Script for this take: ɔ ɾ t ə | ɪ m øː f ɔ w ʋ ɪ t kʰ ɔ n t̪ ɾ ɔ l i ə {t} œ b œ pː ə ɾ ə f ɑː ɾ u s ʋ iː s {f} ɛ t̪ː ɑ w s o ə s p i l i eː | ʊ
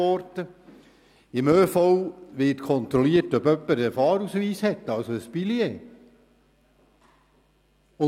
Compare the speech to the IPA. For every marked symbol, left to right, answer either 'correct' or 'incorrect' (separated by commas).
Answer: correct, incorrect